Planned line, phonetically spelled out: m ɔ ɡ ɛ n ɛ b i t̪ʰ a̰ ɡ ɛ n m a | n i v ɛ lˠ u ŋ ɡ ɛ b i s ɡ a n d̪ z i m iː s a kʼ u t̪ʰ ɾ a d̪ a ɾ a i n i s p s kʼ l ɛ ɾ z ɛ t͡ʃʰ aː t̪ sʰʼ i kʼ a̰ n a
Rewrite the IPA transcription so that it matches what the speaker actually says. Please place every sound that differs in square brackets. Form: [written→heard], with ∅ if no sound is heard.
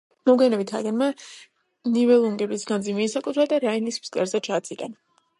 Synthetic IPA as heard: m ɔ ɡ ɛ n ɛ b i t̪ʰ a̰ ɡ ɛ n m a | n i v ɛ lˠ u ŋ ɡ ɛ b i s ɡ a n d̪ z i m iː s a kʼ u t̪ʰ ɾ a d̪ a ɾ a i n i s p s kʼ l ɛ ɾ z ɛ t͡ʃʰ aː t̪ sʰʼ i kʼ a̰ n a